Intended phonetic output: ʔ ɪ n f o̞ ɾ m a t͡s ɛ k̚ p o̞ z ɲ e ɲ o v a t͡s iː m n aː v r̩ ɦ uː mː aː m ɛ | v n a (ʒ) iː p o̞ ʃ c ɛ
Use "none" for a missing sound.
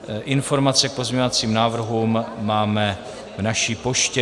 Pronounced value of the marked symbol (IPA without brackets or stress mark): ʃ